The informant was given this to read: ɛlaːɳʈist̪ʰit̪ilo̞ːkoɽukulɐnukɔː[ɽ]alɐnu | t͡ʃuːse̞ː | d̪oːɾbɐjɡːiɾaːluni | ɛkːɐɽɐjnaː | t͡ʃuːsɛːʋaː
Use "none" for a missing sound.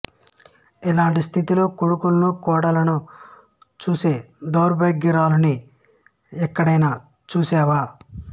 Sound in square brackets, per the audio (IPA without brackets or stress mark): ɽ